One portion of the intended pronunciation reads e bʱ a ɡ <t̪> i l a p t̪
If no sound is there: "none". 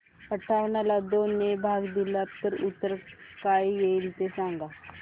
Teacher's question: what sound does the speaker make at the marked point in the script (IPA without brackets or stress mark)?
d̪